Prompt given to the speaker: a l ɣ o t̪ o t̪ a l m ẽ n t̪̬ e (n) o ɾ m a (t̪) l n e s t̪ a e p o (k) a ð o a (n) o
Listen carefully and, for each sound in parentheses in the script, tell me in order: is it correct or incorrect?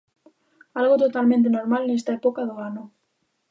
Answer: correct, incorrect, correct, correct

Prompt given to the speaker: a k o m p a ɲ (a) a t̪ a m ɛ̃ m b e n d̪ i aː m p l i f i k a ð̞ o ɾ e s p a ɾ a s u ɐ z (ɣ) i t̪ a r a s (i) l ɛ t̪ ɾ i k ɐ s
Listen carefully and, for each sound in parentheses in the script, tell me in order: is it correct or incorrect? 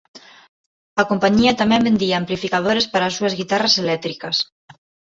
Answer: incorrect, correct, incorrect

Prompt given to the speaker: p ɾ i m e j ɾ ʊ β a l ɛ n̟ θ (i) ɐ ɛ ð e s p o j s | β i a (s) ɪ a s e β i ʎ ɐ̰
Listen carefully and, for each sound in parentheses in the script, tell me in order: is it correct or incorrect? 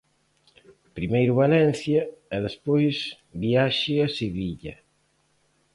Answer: incorrect, incorrect

